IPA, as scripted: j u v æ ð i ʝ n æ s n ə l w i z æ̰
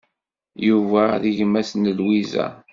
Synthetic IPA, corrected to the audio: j u v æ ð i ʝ m æ s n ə l w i z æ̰